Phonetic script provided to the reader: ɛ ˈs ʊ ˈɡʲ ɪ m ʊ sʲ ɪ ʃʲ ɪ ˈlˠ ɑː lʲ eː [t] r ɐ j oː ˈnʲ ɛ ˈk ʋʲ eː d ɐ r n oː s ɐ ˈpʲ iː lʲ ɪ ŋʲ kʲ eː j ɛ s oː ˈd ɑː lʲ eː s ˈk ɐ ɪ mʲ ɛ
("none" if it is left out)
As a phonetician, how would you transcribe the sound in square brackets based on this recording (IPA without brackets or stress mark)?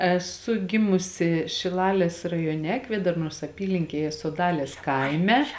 s